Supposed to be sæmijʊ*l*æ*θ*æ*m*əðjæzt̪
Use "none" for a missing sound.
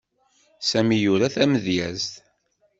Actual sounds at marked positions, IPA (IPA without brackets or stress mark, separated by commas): ɾ, θ, m